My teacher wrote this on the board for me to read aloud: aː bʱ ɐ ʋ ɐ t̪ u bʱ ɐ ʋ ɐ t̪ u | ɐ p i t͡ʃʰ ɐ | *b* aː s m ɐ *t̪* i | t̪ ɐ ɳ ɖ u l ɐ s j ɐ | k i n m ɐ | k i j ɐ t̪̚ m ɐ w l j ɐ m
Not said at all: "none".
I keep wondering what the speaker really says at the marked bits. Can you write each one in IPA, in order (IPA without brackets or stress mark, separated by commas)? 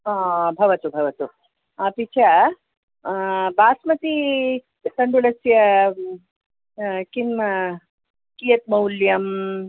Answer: b, t̪